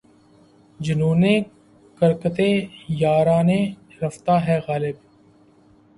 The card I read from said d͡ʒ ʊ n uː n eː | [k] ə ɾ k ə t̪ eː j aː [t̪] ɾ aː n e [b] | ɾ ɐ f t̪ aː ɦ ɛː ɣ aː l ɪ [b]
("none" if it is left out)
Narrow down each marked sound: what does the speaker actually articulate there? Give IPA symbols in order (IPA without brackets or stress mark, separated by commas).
k, none, none, b